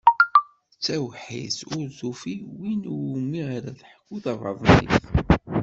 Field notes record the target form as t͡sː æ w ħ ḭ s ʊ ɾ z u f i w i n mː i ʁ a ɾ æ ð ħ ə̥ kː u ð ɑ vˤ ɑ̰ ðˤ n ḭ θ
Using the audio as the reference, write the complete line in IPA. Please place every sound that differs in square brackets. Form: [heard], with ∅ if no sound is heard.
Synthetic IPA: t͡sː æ w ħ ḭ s ʊ ɾ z u f i w i n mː i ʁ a ɾ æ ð ħ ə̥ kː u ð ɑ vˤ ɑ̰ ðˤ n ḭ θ